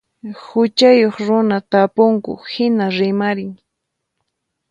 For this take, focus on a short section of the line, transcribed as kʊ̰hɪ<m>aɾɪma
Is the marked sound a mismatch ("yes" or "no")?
yes